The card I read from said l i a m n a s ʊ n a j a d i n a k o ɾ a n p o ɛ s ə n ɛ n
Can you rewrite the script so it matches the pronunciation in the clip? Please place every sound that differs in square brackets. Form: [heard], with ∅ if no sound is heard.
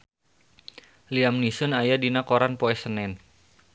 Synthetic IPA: l i a m n [i] s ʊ n a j a d i n a k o ɾ a n p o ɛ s ə n ɛ n

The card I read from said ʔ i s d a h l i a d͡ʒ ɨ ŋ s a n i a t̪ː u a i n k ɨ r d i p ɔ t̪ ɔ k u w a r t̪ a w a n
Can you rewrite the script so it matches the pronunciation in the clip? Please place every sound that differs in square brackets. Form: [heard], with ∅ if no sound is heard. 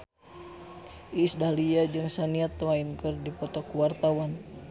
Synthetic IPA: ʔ i s d a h l i a d͡ʒ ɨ ŋ s a n i a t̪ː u a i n k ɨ r d i p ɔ t̪ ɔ k u w a r t̪ a w a n

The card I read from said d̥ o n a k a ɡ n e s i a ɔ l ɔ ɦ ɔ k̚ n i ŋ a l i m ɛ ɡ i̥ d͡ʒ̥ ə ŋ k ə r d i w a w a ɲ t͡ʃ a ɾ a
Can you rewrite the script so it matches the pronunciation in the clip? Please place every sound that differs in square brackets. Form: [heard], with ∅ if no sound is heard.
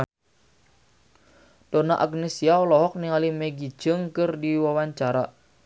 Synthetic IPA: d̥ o n a [ʔ] a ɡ n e s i a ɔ l ɔ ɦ ɔ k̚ n i ŋ a l i m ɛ ɡ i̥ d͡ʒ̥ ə ŋ k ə r d i w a w a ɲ t͡ʃ a ɾ a

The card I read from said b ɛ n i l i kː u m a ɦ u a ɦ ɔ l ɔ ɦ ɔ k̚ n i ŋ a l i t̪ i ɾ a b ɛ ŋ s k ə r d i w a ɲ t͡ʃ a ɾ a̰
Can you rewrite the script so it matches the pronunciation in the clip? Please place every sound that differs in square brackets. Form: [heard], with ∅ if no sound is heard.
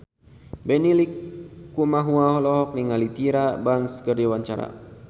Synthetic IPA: b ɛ n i l i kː u m a ɦ u a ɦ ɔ l ɔ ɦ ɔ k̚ n i ŋ a l i t̪ i ɾ a b [a] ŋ s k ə r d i w a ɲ t͡ʃ a ɾ a̰

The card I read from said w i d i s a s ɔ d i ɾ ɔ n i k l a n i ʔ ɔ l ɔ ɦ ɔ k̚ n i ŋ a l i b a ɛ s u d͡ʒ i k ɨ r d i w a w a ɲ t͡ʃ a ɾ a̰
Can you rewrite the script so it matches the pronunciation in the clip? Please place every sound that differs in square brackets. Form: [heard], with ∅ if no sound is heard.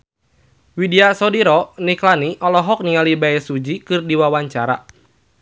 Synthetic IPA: w i d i [∅] a s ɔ d i ɾ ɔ n i k l a n i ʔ ɔ l ɔ ɦ ɔ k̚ n i ŋ a l i b a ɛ s u d͡ʒ i k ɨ r d i w a w a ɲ t͡ʃ a ɾ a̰

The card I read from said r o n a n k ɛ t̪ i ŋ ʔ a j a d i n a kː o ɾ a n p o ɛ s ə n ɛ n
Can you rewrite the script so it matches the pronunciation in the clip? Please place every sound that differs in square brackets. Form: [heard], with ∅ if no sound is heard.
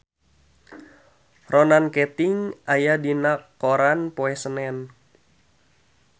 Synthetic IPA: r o n a n k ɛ t̪ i ŋ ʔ a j a d i n a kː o ɾ a n p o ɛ s ə n ɛ n

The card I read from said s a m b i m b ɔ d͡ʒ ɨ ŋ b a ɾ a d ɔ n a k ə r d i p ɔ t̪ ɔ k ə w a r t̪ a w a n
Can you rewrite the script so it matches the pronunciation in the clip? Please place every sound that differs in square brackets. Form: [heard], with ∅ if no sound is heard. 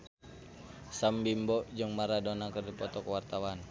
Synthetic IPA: s a m b i m b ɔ d͡ʒ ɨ ŋ [m] a ɾ a d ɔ n a k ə r d i p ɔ t̪ ɔ k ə w a r t̪ a w a n

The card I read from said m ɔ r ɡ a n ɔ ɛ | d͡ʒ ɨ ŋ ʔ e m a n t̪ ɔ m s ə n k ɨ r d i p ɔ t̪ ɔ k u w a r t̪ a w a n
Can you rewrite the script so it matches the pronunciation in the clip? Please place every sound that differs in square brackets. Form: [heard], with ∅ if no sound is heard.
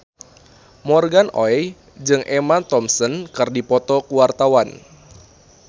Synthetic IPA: m ɔ r ɡ a n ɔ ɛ | d͡ʒ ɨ ŋ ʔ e m a n t̪ ɔ m s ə n k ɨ r d i p ɔ t̪ ɔ k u w a r t̪ a w a n

